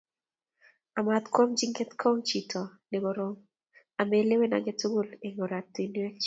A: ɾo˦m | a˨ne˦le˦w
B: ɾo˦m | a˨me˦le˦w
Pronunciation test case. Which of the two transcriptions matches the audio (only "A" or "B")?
B